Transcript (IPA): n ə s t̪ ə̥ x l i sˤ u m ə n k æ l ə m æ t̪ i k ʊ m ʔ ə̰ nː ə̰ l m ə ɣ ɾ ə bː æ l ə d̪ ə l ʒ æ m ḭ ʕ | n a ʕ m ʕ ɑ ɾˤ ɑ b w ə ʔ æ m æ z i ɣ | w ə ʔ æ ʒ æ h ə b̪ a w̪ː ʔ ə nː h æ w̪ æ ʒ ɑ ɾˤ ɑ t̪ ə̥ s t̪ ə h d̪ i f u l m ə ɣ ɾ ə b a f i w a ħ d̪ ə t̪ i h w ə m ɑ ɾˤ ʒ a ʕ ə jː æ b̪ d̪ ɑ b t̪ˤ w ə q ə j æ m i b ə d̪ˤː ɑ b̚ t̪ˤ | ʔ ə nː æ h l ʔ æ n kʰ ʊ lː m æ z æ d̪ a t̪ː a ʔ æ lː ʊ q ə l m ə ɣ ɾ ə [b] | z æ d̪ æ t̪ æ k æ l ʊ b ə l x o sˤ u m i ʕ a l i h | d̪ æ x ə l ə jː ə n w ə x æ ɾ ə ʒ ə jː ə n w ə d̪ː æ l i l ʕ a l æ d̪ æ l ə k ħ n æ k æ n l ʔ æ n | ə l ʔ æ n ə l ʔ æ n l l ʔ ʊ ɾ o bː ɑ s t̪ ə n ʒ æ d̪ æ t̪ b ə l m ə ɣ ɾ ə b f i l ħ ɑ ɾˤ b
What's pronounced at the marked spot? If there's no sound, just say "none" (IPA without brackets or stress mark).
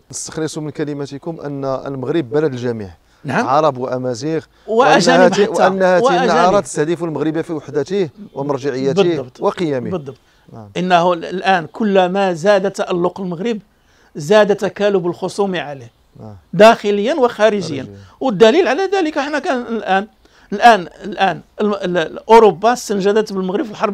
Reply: b